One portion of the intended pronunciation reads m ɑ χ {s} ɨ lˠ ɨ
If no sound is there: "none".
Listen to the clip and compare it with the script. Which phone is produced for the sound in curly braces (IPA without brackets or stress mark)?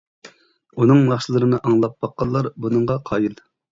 ʃ